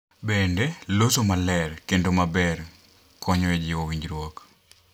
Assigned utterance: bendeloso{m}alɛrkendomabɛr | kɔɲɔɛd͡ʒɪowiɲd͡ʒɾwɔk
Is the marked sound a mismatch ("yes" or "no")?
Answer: no